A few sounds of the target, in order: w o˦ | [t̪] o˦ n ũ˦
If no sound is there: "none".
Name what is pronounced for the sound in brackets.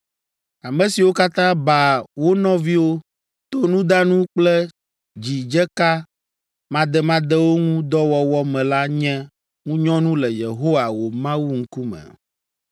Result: t̪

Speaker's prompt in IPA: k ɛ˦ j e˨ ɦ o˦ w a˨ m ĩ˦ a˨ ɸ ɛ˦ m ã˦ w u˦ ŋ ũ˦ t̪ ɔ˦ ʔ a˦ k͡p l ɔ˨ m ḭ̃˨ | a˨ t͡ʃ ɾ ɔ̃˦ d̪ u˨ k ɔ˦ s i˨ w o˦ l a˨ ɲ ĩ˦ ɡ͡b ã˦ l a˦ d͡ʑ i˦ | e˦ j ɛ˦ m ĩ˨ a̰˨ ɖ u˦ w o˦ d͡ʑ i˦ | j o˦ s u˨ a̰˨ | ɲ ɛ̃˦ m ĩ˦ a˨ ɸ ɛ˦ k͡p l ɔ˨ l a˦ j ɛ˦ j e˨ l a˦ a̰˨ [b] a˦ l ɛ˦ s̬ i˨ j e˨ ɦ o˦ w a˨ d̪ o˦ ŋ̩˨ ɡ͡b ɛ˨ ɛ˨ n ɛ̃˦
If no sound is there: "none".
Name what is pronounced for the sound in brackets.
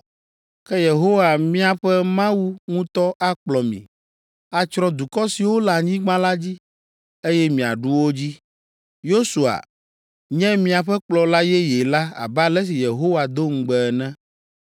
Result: b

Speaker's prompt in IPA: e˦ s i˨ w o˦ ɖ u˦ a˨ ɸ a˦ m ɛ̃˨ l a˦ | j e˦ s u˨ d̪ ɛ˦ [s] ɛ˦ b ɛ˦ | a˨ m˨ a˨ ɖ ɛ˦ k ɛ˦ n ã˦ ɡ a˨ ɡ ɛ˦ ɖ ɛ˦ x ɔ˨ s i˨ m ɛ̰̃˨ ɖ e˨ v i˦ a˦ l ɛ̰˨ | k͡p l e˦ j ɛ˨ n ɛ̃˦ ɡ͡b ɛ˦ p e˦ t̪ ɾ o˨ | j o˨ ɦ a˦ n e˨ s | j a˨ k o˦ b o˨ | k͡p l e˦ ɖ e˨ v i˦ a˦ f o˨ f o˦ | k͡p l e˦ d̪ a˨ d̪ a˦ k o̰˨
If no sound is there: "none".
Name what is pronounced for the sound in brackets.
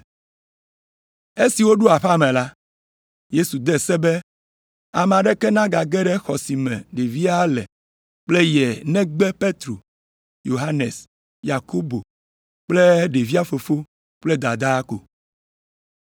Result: s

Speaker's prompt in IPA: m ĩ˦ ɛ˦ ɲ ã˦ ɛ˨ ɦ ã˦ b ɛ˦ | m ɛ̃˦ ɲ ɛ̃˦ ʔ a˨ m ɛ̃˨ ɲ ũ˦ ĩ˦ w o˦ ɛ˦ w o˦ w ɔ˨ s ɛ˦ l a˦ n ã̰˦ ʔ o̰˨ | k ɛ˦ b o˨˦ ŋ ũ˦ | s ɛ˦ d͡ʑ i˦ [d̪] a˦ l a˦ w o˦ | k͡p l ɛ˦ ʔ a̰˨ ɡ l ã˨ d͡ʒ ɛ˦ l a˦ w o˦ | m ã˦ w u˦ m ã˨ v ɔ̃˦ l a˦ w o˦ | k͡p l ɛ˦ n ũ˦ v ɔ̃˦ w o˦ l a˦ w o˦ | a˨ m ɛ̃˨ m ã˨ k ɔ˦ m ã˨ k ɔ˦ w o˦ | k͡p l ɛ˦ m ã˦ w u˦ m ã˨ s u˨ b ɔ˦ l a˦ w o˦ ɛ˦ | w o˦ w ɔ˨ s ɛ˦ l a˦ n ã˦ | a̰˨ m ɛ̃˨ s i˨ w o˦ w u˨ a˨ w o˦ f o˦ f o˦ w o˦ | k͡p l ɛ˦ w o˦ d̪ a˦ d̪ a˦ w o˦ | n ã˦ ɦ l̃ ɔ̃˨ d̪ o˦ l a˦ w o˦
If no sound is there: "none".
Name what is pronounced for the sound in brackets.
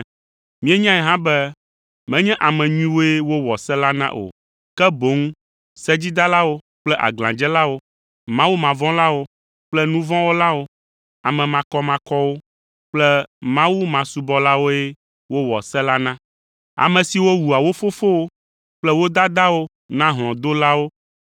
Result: d̪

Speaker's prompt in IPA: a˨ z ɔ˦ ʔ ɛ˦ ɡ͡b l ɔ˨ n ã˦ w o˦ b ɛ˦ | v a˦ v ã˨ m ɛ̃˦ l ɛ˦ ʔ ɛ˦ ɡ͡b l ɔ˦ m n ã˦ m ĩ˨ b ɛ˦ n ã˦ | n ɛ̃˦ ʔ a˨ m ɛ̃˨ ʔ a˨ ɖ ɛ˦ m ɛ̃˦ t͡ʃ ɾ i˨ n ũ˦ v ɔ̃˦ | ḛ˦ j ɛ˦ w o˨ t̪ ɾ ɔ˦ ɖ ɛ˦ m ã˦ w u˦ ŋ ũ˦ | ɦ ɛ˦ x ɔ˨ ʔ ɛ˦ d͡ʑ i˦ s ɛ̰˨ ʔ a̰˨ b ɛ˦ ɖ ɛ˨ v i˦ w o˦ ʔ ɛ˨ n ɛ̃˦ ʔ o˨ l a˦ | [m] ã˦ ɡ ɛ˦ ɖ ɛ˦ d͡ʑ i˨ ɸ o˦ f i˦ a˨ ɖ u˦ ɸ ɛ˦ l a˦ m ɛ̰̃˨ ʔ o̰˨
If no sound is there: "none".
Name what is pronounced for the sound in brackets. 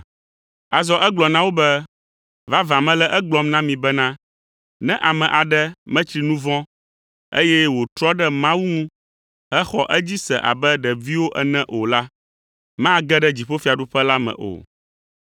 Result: m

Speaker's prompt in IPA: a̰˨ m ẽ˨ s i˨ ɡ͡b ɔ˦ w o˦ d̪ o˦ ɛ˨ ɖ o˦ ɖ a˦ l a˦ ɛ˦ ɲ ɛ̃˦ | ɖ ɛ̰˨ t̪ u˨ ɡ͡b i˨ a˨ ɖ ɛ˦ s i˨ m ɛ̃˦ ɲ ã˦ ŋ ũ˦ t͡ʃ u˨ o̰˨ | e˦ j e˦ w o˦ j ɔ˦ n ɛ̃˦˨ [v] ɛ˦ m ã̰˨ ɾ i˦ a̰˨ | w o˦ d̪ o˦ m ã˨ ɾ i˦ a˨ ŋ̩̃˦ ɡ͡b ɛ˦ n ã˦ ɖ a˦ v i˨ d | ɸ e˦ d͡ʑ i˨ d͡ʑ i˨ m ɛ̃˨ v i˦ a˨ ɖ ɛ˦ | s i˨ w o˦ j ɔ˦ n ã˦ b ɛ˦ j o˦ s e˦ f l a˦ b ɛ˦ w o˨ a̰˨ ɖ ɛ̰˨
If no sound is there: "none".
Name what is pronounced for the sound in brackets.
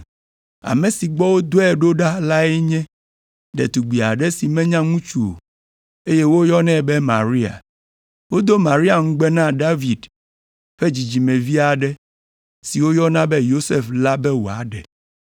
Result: b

